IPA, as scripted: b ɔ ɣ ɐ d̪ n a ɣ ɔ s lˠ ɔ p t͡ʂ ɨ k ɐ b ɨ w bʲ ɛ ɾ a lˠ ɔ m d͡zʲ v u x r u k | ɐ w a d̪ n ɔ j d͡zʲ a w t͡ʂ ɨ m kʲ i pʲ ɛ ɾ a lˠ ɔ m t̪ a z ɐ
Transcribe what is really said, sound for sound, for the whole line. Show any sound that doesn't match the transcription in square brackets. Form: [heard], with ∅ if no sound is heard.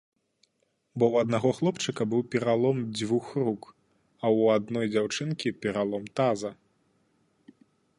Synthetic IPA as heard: b ɔ [w] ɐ d̪ n a ɣ ɔ [x] lˠ ɔ p t͡ʂ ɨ k ɐ b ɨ w [pʲ] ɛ ɾ a lˠ ɔ m d͡zʲ v u x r u k | ɐ w a d̪ n ɔ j d͡zʲ a w t͡ʂ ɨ [n] kʲ i pʲ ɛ ɾ a lˠ ɔ m t̪ a z ɐ